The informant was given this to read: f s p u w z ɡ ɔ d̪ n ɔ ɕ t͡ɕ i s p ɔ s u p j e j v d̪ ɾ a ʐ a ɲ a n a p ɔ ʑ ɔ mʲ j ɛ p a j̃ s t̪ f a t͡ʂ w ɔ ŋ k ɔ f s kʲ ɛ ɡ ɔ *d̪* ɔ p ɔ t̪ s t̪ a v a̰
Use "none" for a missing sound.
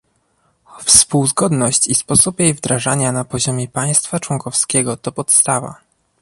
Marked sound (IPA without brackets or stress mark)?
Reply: t̪